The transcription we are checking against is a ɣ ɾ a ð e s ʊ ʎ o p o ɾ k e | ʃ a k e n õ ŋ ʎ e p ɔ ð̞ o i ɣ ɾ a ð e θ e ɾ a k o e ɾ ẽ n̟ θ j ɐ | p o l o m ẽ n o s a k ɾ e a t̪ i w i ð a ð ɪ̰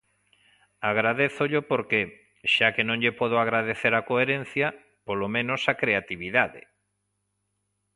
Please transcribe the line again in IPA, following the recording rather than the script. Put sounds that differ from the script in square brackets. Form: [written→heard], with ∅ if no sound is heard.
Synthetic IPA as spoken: a ɣ ɾ a ð e [s→θ] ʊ ʎ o p o ɾ k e | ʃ a k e n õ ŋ ʎ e p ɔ ð̞ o [i→a] ɣ ɾ a ð e θ e ɾ a k o e ɾ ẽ n̟ θ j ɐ | p o l o m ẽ n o s a k ɾ e a t̪ i [w→β] i ð a ð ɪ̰